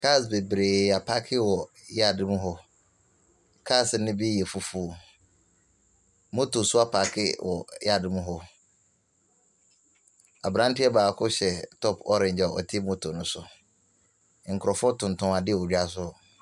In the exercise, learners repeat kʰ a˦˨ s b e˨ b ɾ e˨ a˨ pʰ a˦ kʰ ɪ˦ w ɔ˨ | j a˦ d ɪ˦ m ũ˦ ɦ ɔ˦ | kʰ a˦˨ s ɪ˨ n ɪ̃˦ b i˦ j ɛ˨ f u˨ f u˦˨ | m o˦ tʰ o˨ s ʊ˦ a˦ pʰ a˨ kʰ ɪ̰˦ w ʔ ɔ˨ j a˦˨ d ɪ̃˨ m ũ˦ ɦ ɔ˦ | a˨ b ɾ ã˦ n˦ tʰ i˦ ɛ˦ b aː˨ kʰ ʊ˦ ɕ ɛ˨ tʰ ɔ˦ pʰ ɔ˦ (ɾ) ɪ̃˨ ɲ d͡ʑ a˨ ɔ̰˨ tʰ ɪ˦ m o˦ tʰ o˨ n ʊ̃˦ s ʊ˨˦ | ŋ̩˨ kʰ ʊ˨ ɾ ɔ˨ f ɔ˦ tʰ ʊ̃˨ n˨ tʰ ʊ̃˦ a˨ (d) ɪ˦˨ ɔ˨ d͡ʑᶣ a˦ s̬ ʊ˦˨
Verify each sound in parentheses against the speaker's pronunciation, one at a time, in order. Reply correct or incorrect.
correct, correct

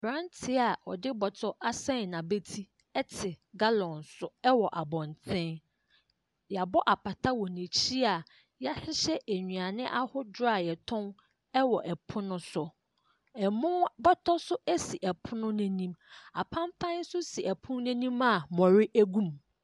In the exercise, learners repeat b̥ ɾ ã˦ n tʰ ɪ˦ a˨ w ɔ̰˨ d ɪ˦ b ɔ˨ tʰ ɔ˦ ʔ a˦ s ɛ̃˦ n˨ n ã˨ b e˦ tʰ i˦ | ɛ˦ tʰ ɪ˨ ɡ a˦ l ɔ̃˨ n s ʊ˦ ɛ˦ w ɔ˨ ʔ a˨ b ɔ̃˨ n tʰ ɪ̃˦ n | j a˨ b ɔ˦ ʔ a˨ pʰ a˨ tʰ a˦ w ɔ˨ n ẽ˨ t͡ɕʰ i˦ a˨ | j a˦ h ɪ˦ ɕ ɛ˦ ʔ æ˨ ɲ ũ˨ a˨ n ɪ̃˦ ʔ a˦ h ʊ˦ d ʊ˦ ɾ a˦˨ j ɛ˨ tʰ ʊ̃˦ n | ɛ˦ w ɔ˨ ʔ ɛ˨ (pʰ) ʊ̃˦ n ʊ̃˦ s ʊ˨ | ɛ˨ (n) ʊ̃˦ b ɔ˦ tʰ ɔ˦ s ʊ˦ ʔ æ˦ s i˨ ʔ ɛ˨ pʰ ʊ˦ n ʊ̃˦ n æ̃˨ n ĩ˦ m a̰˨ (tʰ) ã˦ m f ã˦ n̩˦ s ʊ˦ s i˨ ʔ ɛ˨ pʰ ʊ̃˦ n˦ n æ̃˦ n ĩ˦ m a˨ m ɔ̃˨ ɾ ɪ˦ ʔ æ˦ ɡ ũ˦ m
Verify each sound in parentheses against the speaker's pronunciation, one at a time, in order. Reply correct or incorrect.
correct, incorrect: m, incorrect: pʰ

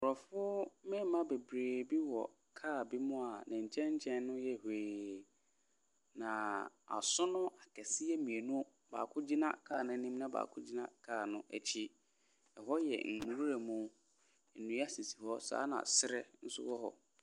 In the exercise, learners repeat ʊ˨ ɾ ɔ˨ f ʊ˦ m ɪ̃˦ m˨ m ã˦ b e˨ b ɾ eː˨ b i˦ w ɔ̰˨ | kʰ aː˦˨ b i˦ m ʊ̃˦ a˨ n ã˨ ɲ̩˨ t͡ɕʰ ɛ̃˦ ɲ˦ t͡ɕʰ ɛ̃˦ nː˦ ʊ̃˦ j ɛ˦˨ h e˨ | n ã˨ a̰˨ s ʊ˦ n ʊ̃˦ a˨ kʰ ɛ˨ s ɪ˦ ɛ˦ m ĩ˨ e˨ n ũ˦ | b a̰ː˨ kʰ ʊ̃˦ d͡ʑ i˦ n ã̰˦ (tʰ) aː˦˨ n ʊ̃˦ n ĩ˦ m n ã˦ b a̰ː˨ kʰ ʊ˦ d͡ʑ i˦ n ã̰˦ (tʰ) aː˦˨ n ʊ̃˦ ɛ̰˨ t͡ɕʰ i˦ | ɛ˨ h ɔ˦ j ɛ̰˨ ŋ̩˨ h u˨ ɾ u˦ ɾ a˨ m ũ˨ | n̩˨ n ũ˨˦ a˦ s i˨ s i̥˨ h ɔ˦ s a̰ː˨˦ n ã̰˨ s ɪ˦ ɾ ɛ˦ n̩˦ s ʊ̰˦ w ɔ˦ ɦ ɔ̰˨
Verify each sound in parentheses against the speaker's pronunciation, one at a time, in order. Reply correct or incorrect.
incorrect: kʰ, incorrect: kʰ

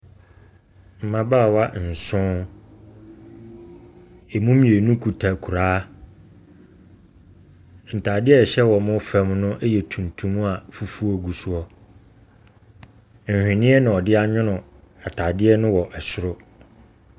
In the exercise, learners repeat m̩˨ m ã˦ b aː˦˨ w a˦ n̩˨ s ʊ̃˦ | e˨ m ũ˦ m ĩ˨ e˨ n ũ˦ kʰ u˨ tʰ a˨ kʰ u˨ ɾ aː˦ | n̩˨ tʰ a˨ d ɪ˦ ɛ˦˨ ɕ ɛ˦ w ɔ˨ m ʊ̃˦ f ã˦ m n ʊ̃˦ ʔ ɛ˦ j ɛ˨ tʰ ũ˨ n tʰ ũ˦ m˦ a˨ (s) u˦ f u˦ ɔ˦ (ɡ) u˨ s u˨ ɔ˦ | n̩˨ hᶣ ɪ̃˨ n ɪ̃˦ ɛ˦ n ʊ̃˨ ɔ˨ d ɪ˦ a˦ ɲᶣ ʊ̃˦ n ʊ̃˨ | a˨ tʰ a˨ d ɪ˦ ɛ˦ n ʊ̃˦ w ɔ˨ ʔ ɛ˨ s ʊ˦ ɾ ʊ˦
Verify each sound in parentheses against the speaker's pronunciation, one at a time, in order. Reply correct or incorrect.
incorrect: f, correct

